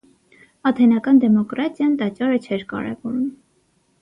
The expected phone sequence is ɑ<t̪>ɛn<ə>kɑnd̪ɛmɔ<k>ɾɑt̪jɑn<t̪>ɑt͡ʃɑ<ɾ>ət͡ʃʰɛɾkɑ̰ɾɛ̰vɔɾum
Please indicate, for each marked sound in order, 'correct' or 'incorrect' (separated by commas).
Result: incorrect, incorrect, correct, correct, correct